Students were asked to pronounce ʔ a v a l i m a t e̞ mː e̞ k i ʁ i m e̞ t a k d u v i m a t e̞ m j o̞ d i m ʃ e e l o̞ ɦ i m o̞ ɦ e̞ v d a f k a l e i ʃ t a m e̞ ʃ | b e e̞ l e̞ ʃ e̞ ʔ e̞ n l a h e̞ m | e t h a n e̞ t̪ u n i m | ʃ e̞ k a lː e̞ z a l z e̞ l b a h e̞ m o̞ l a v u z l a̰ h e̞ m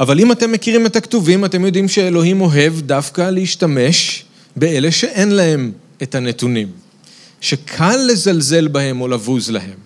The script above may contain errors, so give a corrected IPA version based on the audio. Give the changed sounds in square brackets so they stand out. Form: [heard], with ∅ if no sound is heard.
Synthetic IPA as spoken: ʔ a v a l i m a t e̞ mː e̞ k i ʁ i m e̞ t a k [t] u v i m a t e̞ m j o̞ d i m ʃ e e l o̞ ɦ i m o̞ ɦ e̞ v d a f k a l e i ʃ t a m e̞ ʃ | b e e̞ l e̞ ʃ e̞ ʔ e̞ n l a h e̞ m | e t h a n e̞ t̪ u n i m | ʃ e̞ [kʰ] a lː e̞ z a l z e̞ l b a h e̞ m o̞ l a v u z l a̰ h e̞ m